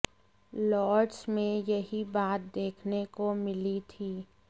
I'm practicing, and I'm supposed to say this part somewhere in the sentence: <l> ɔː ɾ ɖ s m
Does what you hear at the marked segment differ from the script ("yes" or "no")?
no